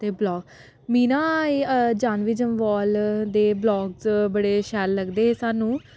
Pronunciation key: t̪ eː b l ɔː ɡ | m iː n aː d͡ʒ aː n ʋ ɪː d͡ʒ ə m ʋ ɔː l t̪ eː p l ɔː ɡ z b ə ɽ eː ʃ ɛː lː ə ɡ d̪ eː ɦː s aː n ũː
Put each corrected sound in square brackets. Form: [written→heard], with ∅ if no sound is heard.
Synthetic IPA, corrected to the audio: t̪ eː b l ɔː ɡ | m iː n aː d͡ʒ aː n ʋ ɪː d͡ʒ ə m ʋ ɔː l [t̪→d̪] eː [p→b] l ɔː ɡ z b ə ɽ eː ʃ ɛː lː ə ɡ d̪ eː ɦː s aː n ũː

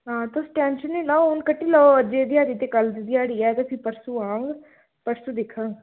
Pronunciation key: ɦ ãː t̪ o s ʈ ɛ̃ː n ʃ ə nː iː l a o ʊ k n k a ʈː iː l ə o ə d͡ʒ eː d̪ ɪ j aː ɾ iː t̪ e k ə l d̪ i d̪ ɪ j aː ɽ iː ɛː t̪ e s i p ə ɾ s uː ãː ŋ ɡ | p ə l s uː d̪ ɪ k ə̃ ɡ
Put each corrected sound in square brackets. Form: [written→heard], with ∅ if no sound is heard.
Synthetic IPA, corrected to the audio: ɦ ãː t̪ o s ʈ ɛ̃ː n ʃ ə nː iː l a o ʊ [k→∅] n k [a→ə] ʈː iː l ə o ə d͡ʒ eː d̪ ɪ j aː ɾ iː t̪ e k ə l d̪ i d̪ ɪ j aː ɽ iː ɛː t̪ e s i p ə ɾ s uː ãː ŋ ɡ | p ə [l→ɾ] s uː d̪ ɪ [k→kʰ] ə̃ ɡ

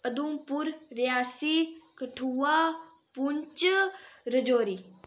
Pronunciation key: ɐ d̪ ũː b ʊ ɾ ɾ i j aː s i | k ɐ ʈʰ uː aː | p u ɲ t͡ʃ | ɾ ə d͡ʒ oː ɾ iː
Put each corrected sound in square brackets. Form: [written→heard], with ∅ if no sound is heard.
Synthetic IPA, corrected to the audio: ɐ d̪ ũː [b→p] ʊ ɾ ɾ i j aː s i | k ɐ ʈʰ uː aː | p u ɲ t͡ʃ | ɾ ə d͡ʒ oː ɾ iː

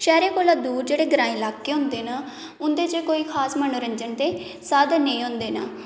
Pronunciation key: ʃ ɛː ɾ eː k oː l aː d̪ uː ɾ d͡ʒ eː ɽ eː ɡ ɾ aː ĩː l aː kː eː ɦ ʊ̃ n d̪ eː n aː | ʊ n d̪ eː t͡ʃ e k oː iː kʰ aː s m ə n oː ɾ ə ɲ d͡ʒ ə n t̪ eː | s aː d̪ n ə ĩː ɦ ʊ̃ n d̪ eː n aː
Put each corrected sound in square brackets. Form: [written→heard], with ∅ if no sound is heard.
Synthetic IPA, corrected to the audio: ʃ ɛː ɾ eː k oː l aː d̪ uː ɾ d͡ʒ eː ɽ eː ɡ ɾ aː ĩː l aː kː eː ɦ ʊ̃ n d̪ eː n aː | ʊ n d̪ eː t͡ʃ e k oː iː kʰ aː s m ə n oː ɾ ə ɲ d͡ʒ ə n t̪ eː | s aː d̪ n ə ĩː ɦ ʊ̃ n d̪ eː n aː

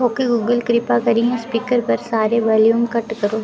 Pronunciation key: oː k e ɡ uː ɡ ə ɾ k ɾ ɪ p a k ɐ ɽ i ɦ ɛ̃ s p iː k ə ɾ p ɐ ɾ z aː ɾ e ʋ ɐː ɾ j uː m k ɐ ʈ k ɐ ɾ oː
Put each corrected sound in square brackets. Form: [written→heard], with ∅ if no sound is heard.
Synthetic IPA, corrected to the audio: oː k e ɡ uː ɡ ə [ɾ→l] k ɾ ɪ p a k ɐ [ɽ→ɾ] i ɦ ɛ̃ s p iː k ə ɾ p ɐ ɾ [z→s] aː ɾ e ʋ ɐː [ɾ→l] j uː m k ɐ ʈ k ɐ ɾ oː

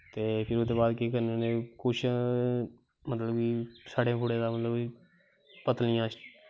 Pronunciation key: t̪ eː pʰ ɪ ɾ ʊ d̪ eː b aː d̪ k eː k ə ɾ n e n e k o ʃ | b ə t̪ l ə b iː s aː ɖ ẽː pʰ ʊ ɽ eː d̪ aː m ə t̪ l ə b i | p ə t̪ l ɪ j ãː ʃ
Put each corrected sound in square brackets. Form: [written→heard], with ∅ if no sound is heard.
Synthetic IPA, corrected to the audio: t̪ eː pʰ ɪ ɾ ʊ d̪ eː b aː d̪ k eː k ə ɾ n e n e k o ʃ | [b→m] ə t̪ l ə b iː s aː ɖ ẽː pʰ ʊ ɽ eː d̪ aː m ə t̪ l ə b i | p ə t̪ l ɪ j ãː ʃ

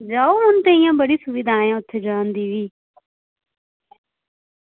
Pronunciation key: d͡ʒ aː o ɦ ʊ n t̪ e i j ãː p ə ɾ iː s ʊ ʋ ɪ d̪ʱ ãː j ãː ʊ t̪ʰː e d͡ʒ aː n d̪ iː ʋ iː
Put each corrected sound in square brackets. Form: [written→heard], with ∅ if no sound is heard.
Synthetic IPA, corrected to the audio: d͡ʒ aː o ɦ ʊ n t̪ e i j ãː [p→b] ə [ɾ→ɽ] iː s ʊ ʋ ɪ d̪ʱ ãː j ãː ʊ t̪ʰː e d͡ʒ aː n d̪ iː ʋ iː

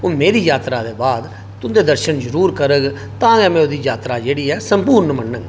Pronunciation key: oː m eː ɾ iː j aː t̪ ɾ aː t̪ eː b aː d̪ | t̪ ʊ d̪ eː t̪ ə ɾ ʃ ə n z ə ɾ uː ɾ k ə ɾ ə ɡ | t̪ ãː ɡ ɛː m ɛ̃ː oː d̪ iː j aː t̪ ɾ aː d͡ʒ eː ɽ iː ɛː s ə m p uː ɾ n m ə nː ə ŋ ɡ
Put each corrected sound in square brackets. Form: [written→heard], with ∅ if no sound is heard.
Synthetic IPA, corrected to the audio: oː m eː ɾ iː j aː t̪ ɾ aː [t̪→d̪] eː b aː d̪ | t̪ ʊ d̪ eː [t̪→d̪] ə ɾ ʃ ə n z ə ɾ uː ɾ k ə ɾ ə ɡ | t̪ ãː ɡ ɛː m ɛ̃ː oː d̪ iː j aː t̪ ɾ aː d͡ʒ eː ɽ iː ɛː s ə m p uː ɾ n m ə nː ə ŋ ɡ

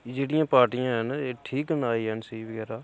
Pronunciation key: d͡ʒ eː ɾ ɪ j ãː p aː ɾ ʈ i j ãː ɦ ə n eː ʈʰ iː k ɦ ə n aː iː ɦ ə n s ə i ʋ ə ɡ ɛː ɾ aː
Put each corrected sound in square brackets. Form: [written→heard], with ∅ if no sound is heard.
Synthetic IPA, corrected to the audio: d͡ʒ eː [ɾ→ɽ] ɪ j ãː p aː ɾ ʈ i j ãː ɦ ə n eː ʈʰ iː k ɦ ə n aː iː ɦ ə n s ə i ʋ ə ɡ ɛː ɾ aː

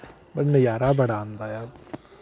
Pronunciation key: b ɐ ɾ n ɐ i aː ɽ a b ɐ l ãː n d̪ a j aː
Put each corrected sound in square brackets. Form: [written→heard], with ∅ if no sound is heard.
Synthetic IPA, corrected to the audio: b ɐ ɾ n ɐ [i→j] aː [ɽ→ɾ] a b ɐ [l→ɽ] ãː n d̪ a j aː

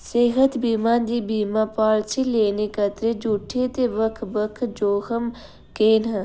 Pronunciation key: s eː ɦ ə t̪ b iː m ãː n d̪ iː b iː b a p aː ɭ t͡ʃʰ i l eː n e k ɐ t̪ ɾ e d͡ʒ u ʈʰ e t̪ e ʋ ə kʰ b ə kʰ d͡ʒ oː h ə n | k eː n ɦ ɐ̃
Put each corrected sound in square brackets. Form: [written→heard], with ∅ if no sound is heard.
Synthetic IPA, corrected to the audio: s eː ɦ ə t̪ b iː m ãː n d̪ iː b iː [b→m] a p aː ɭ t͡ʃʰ i l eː n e k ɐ t̪ ɾ e d͡ʒ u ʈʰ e t̪ e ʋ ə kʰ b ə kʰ d͡ʒ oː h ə [n→m] | k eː n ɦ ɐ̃

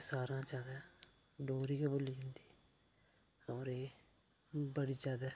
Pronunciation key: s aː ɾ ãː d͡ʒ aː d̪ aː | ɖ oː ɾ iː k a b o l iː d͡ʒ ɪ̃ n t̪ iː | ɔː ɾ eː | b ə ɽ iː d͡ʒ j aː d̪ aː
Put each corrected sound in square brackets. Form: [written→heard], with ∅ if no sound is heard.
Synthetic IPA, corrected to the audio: s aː ɾ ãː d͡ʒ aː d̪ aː | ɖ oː ɾ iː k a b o l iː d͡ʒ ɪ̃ n [t̪→d̪] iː | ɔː ɾ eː | b ə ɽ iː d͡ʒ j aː d̪ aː

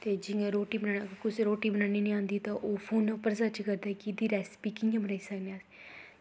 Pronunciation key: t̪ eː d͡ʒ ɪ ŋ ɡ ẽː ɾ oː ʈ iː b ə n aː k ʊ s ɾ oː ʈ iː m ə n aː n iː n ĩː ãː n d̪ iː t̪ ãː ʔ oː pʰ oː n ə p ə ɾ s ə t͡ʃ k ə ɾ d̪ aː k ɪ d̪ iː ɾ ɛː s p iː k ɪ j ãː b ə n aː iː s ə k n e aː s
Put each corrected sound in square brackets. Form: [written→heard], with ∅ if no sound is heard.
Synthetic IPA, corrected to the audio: t̪ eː d͡ʒ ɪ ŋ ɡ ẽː ɾ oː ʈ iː b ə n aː k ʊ s ɾ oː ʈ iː [m→b] ə n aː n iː n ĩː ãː n d̪ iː t̪ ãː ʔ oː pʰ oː n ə p ə ɾ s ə t͡ʃ k ə ɾ d̪ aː k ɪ d̪ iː ɾ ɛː s p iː k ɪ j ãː b ə n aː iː s ə k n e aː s

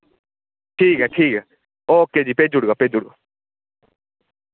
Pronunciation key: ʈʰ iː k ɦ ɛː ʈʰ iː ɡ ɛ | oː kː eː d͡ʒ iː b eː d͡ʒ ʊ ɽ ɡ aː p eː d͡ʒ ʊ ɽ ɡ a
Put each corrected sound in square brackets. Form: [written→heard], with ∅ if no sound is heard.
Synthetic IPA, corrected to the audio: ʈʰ iː k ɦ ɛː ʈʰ iː [ɡ→k] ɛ | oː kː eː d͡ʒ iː [b→p] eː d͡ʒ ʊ ɽ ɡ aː p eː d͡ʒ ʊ ɽ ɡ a

